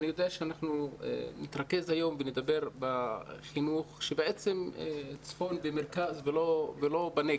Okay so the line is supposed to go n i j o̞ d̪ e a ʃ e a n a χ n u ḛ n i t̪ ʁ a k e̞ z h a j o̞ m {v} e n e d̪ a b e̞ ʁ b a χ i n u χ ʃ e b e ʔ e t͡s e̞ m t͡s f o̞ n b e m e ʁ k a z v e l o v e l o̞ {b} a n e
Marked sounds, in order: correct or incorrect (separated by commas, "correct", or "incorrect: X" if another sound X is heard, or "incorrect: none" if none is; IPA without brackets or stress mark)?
correct, correct